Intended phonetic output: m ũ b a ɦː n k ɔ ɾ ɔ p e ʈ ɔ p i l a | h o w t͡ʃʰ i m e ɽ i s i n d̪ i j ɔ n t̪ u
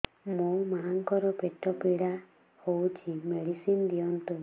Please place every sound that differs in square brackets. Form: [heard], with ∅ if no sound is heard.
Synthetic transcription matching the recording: m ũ [m] a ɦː [ŋ] k ɔ ɾ ɔ p e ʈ ɔ p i [ɽ] a | h o w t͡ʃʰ i m e ɽ i s i n d̪ i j ɔ n t̪ u